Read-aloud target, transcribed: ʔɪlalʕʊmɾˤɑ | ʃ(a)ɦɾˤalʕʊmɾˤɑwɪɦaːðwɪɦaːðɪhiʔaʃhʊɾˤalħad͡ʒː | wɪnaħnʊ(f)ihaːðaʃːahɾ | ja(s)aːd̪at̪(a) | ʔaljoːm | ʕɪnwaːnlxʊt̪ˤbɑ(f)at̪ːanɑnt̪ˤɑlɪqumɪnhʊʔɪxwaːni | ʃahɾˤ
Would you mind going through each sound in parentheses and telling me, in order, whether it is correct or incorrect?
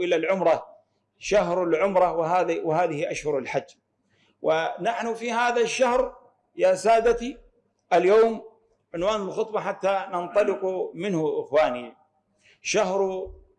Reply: correct, correct, correct, incorrect: i, incorrect: ħ

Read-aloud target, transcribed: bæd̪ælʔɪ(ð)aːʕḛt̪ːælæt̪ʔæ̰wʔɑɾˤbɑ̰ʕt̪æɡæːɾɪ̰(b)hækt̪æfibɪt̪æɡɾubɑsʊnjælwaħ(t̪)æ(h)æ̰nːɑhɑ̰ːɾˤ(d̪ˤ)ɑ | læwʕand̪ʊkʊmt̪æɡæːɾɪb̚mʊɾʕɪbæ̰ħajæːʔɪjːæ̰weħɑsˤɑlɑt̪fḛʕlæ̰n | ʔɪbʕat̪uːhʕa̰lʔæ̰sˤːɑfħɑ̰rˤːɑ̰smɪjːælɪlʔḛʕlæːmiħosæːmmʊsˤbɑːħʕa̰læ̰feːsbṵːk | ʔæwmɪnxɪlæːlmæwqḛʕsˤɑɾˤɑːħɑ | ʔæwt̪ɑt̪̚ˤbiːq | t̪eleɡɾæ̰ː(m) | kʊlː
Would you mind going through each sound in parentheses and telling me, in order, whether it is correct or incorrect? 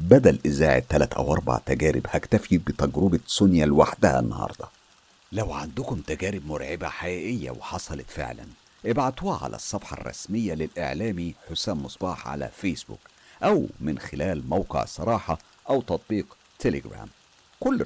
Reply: incorrect: z, correct, incorrect: d̪, correct, correct, correct

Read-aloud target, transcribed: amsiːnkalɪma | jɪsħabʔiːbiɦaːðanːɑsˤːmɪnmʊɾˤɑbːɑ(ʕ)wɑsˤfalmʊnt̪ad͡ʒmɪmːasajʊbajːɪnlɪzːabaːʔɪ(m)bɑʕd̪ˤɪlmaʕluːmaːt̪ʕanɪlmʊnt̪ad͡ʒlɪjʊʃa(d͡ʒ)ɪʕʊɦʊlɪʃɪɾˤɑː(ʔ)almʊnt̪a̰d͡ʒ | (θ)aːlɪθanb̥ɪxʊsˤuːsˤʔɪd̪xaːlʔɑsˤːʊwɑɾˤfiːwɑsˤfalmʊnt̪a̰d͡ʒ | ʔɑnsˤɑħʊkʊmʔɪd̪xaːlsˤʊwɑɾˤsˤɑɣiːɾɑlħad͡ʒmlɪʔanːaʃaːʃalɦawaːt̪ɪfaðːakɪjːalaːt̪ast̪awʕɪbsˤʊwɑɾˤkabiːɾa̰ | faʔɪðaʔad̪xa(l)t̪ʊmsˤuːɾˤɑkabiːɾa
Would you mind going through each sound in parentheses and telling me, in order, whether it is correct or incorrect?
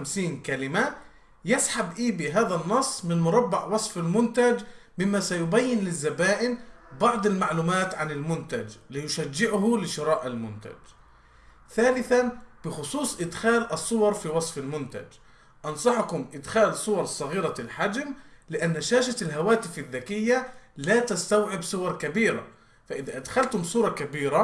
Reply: correct, incorrect: n, incorrect: d͡ʒː, correct, correct, correct

